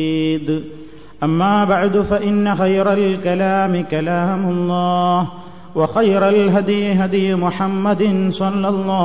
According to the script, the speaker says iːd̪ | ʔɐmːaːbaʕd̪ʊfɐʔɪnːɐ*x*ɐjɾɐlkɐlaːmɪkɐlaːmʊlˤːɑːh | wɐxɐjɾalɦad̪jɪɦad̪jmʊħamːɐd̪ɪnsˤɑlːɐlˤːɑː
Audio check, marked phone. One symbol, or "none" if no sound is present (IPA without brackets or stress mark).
x